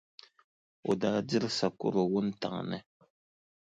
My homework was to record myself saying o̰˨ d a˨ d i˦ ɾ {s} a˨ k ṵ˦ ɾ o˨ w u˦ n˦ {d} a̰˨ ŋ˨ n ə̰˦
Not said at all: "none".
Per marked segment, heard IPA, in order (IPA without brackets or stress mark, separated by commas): s, t